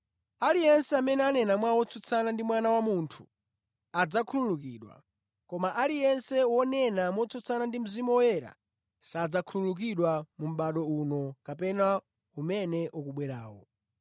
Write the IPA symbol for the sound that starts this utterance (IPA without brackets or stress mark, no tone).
a